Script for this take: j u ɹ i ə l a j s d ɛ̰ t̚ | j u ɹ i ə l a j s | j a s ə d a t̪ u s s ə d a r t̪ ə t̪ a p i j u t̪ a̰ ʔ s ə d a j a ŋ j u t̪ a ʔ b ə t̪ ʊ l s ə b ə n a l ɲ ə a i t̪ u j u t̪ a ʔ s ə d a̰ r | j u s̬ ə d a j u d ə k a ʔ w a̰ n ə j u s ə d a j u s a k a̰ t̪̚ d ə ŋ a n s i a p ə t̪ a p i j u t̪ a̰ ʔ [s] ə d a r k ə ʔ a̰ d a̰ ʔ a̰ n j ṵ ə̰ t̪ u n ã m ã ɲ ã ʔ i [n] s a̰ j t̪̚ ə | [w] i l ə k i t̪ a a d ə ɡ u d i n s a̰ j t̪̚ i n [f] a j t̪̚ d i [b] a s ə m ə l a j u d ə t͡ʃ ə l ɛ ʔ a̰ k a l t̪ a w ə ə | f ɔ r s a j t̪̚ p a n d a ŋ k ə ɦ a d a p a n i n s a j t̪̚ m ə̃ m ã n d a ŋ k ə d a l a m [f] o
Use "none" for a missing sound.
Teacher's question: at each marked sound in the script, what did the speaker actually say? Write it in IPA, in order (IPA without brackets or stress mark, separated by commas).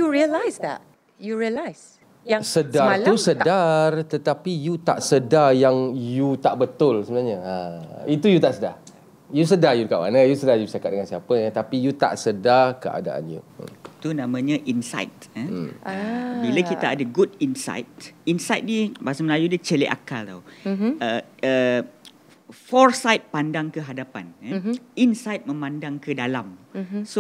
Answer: s, n, b, s, b, s